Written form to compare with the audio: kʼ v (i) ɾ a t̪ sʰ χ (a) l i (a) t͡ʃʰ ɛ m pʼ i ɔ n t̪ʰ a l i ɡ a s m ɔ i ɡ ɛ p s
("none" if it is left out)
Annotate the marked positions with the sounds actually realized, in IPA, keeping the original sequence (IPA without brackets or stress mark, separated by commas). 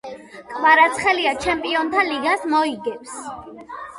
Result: a, ɛ, a